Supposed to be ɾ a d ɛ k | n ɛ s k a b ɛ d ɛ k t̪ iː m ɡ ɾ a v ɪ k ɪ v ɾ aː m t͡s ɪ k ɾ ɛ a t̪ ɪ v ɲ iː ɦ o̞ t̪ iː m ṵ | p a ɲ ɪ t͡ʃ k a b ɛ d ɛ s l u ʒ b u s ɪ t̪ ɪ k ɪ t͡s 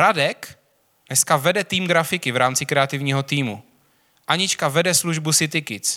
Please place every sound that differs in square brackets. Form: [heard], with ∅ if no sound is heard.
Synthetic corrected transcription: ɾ a d ɛ k | n ɛ s k a [v] ɛ d ɛ [∅] t̪ iː m ɡ ɾ a [f] ɪ k ɪ v ɾ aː m t͡s ɪ k ɾ ɛ a t̪ ɪ v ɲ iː ɦ o̞ t̪ iː m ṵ | [ʔ] a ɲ ɪ t͡ʃ k a [v] ɛ d ɛ s l u ʒ b u s ɪ t̪ ɪ k ɪ t͡s